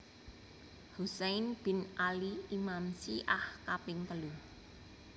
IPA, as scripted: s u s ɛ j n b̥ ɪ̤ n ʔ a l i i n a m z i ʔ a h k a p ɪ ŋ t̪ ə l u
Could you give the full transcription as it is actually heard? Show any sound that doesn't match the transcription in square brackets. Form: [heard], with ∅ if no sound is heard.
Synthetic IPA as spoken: [h] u s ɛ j n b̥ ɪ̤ n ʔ a l i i [m] a m [s] i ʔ a h k a p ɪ ŋ t̪ ə l u